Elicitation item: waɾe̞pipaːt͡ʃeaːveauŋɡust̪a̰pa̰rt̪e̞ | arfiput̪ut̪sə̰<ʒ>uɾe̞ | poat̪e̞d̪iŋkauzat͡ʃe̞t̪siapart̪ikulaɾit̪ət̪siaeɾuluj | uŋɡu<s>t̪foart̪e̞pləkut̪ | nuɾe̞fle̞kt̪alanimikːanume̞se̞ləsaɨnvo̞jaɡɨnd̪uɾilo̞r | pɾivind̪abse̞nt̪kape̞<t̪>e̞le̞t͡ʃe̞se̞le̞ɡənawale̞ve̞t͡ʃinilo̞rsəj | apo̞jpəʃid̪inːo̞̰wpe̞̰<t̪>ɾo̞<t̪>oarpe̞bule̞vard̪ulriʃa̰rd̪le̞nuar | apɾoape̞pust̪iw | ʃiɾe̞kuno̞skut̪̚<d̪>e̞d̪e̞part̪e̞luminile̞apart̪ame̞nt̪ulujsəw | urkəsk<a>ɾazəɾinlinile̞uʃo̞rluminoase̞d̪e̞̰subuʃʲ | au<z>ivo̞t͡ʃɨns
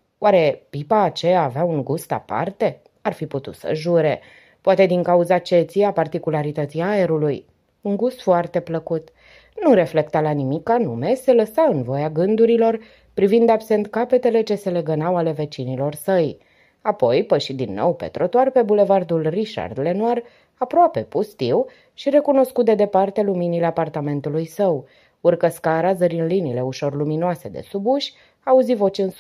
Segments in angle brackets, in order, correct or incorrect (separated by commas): correct, correct, correct, correct, correct, correct, correct, correct